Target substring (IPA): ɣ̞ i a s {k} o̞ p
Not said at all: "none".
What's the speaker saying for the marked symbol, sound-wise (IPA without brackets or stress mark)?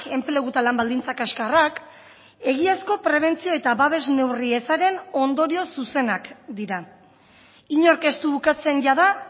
k